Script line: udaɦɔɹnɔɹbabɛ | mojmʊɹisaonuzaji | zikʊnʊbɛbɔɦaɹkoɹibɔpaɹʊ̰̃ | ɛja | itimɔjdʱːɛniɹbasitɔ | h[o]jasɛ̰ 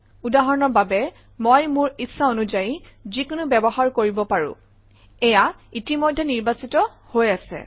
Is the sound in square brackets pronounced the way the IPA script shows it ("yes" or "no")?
yes